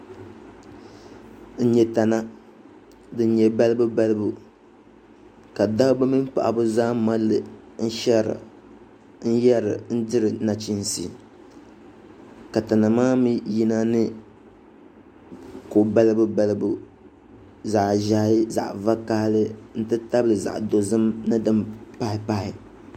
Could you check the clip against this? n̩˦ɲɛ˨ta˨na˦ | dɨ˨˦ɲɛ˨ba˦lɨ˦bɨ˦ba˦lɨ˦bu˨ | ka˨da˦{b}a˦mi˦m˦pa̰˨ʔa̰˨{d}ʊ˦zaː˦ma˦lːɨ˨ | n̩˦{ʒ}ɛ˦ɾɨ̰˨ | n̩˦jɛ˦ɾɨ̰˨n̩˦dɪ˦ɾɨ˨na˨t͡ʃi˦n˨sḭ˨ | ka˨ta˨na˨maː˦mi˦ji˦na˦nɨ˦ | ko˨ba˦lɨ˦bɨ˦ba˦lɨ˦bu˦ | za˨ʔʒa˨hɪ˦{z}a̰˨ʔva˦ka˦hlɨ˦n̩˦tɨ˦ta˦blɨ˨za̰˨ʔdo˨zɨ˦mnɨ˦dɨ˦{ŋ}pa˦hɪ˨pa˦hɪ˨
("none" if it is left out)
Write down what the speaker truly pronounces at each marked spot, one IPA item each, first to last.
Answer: b, b, ʃ, z, m

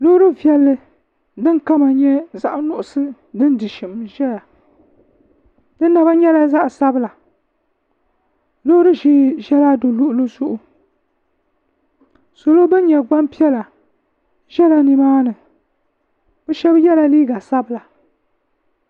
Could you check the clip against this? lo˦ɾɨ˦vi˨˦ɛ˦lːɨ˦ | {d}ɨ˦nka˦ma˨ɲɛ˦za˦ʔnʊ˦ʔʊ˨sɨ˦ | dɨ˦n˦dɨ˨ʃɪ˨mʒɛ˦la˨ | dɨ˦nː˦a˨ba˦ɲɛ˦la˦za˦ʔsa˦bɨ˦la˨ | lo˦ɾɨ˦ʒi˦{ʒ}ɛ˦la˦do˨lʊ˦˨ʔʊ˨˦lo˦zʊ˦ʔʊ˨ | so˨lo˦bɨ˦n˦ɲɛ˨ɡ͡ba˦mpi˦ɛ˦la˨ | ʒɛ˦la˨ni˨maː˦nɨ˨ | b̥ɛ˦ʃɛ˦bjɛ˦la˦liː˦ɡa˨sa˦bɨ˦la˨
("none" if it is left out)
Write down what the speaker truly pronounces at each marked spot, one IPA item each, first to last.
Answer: d, ʒ

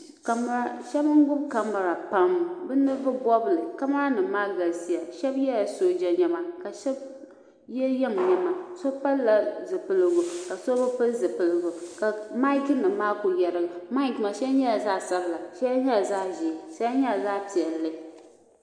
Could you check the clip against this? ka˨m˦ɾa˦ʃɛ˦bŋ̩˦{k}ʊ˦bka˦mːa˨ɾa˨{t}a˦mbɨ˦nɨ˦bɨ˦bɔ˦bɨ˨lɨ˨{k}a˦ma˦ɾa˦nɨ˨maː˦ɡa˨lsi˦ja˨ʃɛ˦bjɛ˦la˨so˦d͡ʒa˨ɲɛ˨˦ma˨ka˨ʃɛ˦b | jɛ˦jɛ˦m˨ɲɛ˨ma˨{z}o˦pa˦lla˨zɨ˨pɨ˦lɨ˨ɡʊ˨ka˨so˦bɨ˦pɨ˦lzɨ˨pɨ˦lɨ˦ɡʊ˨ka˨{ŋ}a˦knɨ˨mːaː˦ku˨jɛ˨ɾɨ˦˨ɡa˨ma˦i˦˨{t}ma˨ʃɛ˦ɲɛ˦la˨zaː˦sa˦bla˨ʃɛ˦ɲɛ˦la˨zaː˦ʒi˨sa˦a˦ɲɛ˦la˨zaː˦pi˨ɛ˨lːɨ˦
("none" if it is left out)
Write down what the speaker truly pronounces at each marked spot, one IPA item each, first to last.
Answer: ɡ, p, k, s, m, k

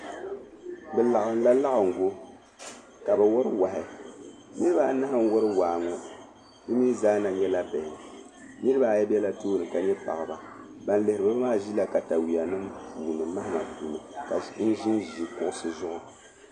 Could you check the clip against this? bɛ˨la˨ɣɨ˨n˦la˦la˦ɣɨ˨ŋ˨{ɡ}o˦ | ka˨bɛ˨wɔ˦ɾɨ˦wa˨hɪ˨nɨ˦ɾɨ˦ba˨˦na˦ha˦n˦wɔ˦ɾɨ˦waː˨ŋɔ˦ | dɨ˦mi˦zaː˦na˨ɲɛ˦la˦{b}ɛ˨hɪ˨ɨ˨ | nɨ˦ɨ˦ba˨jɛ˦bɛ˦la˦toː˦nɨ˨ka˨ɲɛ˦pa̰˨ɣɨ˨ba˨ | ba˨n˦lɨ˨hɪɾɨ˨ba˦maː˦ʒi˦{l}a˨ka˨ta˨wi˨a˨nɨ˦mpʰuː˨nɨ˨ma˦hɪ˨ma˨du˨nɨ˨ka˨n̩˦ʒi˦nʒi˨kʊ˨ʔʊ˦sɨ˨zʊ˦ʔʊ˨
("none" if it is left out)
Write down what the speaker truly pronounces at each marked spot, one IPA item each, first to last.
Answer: ɡ, b, l

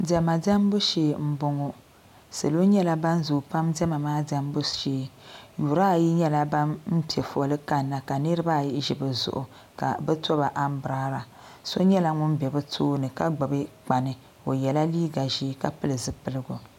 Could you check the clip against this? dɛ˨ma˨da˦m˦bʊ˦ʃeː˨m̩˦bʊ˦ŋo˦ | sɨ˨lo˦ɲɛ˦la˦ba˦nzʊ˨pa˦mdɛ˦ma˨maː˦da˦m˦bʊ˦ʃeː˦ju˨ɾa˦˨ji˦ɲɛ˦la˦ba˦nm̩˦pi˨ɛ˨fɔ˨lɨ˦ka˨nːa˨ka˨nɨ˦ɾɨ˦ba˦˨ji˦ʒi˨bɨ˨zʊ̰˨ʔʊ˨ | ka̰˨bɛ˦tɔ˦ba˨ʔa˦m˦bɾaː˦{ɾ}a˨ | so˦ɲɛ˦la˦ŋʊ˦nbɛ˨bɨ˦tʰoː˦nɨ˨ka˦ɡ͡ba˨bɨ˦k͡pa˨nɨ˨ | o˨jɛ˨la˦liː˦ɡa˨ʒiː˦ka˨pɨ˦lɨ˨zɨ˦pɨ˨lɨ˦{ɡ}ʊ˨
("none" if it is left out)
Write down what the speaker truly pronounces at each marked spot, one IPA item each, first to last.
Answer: ɾ, ɡ

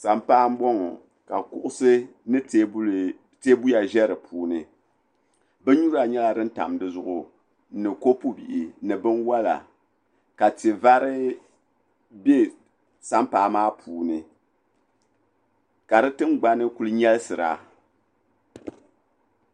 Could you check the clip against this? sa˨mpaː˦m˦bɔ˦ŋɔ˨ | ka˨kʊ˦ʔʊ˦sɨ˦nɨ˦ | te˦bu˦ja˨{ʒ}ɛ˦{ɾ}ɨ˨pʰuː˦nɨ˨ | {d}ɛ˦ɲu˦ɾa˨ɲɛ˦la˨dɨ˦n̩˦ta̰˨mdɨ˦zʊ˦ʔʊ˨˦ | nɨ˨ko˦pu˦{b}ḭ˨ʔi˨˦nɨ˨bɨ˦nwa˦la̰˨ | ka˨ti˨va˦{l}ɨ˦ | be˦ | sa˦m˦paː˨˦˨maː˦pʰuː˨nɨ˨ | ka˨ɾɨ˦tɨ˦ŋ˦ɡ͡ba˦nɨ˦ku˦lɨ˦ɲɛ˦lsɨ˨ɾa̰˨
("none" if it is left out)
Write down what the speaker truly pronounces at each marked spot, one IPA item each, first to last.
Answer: ʒ, ɾ, b, b, ɾ

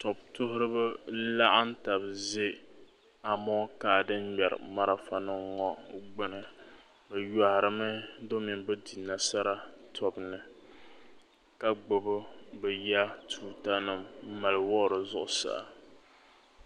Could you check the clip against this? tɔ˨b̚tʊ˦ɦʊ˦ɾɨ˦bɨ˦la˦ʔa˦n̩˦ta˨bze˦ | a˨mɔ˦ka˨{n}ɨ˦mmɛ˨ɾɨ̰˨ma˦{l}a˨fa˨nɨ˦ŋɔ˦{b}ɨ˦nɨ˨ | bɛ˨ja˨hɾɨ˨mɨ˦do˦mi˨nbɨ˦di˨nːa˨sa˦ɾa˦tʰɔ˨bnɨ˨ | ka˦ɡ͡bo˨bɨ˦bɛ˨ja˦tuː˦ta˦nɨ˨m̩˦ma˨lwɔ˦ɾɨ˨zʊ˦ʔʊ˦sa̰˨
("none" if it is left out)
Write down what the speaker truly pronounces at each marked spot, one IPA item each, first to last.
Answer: d, ɾ, ɡ͡b

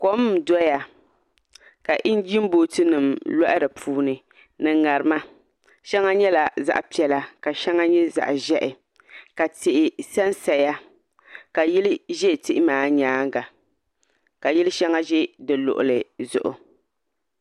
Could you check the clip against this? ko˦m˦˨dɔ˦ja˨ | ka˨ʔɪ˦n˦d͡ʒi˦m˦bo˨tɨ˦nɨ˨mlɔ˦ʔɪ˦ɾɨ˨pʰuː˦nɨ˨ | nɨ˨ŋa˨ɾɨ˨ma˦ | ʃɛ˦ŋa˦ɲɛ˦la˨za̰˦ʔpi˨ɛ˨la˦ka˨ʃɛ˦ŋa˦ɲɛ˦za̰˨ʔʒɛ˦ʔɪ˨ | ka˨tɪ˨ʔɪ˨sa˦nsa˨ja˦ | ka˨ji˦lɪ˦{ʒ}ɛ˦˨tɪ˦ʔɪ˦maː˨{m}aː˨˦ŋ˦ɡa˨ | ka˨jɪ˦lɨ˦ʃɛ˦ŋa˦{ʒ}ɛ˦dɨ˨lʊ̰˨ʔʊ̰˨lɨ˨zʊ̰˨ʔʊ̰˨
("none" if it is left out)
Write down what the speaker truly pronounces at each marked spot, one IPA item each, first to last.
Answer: ʒ, ɲ, ʒ

